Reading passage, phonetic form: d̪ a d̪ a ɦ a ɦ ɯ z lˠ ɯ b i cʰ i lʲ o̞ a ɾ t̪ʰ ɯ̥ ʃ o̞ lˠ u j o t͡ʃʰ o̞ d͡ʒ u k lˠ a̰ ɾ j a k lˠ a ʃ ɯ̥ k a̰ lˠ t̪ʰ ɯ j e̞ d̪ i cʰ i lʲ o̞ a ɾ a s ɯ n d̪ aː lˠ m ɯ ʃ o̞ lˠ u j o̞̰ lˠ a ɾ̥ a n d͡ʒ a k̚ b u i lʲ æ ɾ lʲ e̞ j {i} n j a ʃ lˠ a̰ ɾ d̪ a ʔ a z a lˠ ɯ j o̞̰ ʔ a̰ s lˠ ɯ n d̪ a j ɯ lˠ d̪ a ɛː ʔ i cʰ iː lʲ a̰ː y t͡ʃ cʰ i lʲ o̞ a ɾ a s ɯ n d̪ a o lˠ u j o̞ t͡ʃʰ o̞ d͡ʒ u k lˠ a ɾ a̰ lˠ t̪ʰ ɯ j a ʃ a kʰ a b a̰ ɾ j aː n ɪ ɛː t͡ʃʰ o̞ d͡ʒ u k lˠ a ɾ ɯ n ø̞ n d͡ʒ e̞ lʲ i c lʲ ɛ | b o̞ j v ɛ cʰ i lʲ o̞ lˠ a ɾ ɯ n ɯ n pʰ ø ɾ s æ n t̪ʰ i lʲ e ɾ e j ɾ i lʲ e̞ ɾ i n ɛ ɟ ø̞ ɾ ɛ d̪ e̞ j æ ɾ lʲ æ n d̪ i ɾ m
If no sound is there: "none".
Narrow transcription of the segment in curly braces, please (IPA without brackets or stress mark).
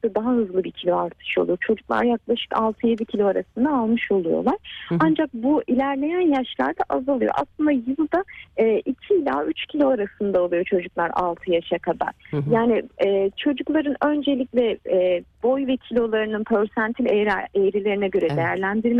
æ